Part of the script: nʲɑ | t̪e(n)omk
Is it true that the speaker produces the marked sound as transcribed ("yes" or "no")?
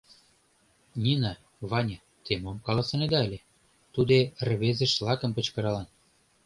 no